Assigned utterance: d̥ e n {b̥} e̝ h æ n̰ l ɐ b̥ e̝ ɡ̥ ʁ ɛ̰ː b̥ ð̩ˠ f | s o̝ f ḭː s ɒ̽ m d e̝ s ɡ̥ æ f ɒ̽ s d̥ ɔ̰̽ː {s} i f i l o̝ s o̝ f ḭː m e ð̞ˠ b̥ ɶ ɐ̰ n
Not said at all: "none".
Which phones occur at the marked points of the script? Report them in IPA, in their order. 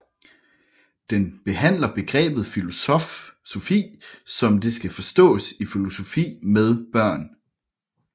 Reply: b̥, s

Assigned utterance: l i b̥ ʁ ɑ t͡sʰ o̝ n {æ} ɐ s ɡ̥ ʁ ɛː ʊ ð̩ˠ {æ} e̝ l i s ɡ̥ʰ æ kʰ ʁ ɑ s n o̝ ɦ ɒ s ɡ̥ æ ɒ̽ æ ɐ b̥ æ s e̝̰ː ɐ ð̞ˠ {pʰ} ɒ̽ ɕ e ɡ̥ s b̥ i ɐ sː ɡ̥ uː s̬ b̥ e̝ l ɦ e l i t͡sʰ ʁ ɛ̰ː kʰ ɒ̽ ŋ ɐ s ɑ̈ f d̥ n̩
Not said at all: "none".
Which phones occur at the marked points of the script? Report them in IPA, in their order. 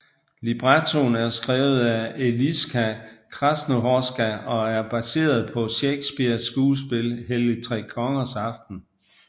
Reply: æ, æ, pʰ

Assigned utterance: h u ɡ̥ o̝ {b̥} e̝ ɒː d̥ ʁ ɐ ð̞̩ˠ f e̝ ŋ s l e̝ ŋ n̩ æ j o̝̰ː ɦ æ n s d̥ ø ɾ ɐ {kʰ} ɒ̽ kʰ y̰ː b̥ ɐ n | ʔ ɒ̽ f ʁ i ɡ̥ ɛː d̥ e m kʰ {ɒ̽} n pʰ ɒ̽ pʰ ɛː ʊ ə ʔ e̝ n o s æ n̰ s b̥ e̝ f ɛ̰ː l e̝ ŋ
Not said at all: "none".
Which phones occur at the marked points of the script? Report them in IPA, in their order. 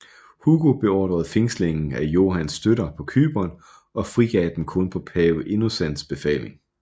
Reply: b̥, pʰ, ɔ̽

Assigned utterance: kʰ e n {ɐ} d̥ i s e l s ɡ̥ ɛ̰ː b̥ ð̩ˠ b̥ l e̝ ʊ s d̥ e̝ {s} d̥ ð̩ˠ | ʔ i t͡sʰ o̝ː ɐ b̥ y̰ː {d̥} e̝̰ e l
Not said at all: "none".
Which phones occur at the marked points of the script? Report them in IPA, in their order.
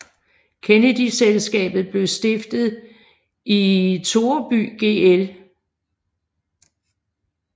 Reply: ə, f, ɡ̥

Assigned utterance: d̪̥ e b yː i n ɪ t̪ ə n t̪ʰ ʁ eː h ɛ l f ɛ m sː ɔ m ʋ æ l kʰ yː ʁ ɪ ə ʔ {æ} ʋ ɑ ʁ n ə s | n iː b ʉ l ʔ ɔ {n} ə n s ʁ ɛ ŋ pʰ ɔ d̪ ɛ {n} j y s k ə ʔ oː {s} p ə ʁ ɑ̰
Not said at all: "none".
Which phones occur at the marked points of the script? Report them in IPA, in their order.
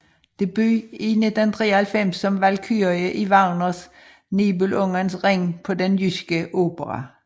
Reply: i, ŋ, n, none

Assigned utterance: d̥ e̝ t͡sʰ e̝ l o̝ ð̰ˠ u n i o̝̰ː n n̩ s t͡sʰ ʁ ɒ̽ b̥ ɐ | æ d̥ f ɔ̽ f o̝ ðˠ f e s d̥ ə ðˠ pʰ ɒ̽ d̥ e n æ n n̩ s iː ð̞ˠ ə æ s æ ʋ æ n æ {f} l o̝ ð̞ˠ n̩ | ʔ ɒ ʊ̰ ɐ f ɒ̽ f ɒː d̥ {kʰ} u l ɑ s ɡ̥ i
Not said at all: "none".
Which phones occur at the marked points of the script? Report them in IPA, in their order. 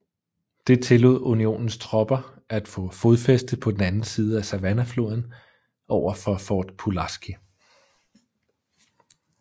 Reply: f, pʰ

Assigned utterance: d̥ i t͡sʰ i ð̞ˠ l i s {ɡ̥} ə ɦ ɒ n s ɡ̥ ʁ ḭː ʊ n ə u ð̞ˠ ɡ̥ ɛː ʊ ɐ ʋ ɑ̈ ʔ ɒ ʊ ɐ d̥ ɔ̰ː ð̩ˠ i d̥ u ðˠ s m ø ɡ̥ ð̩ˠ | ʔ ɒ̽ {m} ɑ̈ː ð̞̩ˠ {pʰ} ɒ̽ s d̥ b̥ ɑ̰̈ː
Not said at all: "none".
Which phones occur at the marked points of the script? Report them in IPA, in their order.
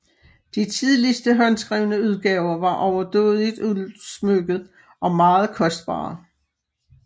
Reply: d̥, m, kʰ

